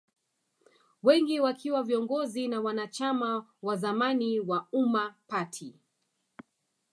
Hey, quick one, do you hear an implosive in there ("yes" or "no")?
no